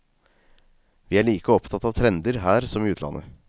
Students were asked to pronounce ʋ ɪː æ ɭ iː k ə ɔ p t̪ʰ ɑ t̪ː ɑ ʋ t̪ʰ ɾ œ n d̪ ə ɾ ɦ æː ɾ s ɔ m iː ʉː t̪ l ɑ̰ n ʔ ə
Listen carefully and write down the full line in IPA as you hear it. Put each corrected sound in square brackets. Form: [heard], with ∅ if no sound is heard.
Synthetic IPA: ʋ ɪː æ ɭ iː k ə ɔ p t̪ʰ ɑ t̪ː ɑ ʋ t̪ʰ ɾ [ɛ] n d̪ ə ɾ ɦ æː ɾ s ɔ m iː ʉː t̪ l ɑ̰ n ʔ ə